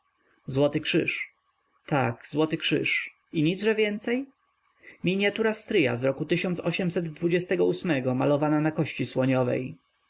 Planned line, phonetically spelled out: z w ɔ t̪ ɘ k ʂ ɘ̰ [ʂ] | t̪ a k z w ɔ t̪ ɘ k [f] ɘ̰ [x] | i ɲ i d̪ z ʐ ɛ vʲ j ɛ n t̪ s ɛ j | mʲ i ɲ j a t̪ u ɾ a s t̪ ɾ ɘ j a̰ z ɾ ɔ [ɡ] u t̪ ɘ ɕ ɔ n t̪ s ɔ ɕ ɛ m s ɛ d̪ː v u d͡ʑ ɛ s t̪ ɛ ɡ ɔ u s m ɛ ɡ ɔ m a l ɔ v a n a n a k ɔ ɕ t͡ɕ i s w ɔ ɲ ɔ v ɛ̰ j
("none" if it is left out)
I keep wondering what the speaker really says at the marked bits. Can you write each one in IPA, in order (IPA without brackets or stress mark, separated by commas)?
ʂ, ʂ, ʂ, k